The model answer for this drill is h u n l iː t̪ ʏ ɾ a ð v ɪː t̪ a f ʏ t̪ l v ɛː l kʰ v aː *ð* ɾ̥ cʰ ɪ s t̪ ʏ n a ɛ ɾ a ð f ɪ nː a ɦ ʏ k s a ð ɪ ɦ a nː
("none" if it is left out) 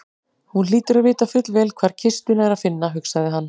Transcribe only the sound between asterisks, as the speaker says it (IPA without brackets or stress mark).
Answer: none